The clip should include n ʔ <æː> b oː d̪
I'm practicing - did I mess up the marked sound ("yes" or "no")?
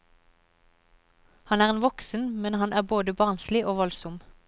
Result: no